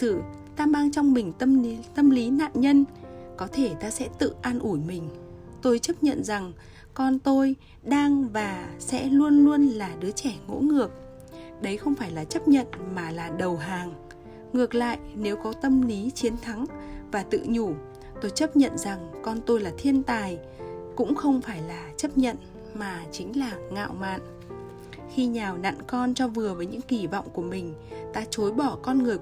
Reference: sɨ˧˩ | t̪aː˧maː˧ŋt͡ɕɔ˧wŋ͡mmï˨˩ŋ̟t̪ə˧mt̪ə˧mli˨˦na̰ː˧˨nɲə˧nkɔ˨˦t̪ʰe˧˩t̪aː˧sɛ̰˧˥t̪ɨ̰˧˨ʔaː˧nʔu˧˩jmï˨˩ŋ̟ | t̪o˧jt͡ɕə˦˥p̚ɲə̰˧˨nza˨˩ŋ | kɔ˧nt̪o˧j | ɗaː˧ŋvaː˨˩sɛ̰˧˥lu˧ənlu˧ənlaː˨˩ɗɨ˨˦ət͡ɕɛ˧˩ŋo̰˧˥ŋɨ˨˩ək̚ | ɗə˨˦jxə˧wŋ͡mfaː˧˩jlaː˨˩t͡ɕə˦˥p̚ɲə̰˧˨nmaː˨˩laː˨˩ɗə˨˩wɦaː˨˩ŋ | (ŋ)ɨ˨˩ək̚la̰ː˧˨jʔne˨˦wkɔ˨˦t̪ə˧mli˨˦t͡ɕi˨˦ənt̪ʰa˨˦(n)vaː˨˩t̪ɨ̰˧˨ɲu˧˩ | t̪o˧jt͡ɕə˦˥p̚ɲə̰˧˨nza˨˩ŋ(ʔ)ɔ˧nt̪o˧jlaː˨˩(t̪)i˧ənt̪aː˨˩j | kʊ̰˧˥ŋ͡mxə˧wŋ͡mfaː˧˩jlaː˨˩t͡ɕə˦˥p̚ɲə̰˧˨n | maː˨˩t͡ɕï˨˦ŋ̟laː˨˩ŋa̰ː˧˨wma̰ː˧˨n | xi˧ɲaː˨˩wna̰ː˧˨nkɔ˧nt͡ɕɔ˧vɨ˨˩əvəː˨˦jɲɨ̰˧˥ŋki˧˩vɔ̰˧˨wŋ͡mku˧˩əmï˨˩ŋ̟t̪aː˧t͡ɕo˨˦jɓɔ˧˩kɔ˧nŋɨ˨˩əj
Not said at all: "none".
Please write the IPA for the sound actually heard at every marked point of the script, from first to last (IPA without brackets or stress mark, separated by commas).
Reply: ŋ, ŋ, k, t̪ʰ